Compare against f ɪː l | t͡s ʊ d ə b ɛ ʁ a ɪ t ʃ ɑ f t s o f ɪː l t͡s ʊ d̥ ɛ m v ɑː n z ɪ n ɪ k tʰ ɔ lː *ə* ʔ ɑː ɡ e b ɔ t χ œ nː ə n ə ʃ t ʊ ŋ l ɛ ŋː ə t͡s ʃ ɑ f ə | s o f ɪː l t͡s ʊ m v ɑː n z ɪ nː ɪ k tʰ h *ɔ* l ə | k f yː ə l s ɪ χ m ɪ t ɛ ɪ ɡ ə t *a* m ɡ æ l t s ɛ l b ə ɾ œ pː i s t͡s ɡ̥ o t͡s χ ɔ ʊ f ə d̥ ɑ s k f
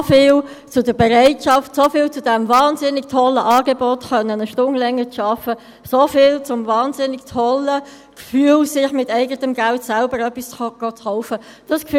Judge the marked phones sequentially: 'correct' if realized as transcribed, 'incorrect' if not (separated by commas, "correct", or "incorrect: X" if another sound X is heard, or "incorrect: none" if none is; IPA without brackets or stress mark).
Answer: correct, correct, incorrect: ə